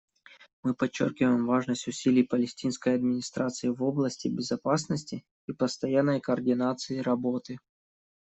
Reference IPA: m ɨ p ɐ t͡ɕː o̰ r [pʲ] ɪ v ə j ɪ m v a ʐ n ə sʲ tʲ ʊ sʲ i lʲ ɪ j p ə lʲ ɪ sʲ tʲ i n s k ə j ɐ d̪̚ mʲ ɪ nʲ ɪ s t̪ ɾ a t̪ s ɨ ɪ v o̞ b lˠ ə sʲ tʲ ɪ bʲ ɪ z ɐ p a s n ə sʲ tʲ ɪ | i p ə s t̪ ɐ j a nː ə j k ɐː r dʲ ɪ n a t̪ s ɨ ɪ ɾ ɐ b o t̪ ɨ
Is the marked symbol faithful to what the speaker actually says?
no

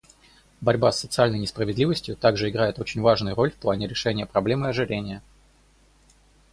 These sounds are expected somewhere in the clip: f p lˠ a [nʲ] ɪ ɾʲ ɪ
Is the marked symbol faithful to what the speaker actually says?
yes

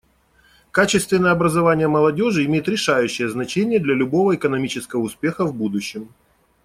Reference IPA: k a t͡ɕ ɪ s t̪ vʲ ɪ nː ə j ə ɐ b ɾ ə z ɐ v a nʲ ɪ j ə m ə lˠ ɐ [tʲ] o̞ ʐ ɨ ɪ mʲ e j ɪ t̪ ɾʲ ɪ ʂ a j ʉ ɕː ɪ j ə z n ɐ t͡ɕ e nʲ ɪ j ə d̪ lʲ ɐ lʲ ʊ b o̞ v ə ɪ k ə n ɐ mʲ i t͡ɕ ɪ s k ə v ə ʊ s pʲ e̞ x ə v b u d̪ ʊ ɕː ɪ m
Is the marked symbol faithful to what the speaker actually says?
no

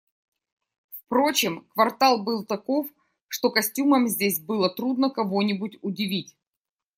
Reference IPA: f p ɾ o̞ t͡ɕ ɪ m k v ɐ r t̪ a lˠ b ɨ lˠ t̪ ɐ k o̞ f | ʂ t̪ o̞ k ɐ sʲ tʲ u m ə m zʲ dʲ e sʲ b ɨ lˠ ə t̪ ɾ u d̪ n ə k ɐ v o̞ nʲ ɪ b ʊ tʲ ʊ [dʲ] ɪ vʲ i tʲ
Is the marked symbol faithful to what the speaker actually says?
yes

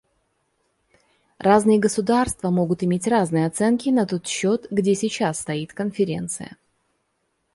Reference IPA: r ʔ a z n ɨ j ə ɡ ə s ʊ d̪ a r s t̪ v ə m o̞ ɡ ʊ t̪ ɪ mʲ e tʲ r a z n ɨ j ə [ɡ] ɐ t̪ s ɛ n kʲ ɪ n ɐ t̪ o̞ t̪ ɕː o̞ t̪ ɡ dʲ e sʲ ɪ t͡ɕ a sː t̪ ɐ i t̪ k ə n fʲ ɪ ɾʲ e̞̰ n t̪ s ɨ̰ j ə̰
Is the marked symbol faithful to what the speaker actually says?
no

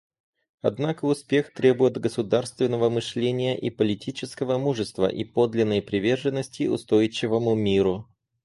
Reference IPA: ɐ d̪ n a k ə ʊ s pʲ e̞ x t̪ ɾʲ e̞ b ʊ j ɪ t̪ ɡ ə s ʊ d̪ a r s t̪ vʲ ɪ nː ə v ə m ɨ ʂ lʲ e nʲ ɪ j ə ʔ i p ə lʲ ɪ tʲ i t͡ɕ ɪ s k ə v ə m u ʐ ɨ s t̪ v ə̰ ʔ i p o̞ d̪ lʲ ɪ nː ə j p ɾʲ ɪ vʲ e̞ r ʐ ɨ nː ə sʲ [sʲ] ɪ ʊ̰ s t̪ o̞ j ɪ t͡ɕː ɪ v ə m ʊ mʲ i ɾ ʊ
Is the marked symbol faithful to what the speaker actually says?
no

